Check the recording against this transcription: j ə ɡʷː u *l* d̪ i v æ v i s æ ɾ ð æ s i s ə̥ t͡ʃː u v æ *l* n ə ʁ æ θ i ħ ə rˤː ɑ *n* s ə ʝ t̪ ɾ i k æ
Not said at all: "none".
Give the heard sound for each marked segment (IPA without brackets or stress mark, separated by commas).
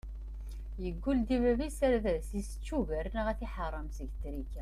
l, ɾ, m